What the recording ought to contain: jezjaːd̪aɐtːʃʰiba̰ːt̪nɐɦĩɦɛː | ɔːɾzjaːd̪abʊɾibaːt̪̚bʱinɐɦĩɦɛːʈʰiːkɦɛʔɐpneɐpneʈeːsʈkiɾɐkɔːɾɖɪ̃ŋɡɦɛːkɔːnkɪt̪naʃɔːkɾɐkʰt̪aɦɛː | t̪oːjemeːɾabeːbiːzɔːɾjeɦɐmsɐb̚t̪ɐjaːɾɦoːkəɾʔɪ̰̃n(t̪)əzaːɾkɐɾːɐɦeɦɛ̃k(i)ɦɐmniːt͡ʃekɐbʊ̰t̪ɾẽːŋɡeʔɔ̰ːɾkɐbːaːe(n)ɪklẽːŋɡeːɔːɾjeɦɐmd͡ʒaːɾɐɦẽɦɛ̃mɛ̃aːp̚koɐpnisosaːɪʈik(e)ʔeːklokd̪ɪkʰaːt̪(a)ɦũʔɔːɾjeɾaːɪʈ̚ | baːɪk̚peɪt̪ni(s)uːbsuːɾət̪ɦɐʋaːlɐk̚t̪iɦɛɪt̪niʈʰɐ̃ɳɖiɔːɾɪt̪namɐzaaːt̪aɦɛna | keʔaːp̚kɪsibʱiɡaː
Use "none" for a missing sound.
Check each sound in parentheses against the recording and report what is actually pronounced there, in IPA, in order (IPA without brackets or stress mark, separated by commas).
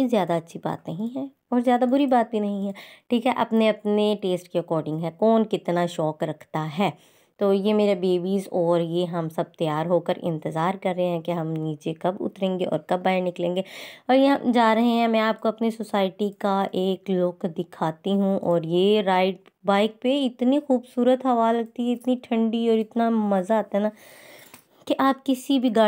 t̪, e, n, a, i, x